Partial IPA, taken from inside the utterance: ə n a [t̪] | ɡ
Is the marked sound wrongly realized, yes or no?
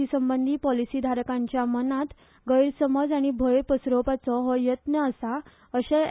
no